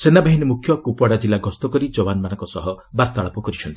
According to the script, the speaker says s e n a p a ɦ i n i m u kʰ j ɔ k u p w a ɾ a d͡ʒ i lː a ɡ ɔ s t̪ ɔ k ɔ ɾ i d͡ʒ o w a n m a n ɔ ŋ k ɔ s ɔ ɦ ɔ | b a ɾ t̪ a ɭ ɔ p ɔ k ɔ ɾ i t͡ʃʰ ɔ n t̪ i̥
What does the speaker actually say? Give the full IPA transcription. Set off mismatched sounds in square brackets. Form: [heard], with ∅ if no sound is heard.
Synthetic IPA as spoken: s e n a [b] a ɦ i n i m u kʰ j ɔ k u p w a [ɽ] a d͡ʒ i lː a ɡ ɔ s t̪ ɔ k ɔ ɾ i d͡ʒ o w a n m a n ɔ ŋ k ɔ s ɔ ɦ ɔ | b a ɾ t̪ a ɭ ɔ p ɔ k ɔ ɾ i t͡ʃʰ ɔ n t̪ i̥